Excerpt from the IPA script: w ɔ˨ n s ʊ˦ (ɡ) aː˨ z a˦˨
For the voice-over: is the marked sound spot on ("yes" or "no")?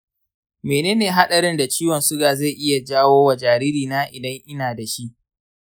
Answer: yes